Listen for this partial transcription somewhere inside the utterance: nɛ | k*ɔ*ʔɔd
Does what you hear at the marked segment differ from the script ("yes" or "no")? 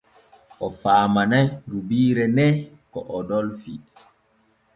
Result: no